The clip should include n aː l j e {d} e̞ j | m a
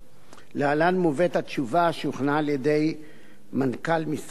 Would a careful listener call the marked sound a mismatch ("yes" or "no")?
no